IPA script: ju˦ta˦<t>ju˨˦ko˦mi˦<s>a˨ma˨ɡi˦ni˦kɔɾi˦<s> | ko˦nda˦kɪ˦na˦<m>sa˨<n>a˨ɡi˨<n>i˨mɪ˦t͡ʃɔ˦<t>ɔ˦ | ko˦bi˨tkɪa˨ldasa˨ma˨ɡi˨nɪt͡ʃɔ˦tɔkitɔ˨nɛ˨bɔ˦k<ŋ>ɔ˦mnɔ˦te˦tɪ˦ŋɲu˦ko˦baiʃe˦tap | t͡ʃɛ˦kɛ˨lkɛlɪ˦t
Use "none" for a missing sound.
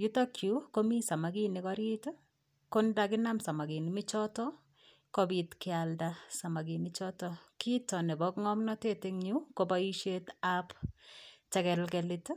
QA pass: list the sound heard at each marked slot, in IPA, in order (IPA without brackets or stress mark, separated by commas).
k, s, t, m, m, n, t, ŋ